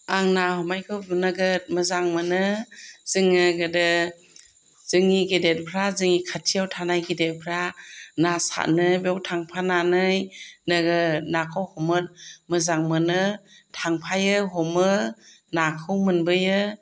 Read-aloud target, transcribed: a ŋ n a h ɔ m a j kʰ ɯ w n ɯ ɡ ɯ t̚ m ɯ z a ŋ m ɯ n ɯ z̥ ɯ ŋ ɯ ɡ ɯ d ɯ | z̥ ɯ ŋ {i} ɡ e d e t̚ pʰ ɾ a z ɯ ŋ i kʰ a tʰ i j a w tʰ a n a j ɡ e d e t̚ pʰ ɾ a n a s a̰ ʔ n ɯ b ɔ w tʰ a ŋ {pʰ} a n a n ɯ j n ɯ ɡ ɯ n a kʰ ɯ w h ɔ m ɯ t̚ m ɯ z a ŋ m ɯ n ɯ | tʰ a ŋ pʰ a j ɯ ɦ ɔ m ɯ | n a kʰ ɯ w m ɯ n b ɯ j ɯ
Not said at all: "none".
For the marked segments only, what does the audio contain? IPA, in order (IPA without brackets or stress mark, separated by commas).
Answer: i, pʰ